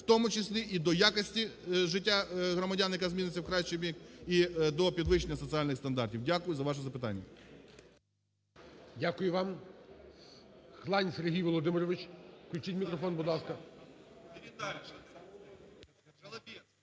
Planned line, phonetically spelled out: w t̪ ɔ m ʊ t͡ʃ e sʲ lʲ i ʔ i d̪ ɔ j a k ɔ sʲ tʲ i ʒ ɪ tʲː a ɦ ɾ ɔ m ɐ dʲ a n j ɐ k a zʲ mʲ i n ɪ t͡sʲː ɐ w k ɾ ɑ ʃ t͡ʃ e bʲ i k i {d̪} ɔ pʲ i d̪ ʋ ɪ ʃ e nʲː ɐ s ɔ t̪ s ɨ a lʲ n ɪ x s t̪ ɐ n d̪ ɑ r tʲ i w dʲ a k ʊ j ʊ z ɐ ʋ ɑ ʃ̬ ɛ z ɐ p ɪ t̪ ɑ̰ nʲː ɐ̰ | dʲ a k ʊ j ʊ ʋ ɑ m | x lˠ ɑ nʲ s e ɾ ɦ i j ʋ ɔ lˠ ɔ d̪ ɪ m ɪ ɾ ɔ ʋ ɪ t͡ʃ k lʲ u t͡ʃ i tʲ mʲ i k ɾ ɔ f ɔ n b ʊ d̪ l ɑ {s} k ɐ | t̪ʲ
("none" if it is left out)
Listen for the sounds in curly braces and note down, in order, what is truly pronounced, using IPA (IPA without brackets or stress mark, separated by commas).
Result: d̪, s